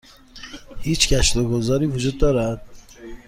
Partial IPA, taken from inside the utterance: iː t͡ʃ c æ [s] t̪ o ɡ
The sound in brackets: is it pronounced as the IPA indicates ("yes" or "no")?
no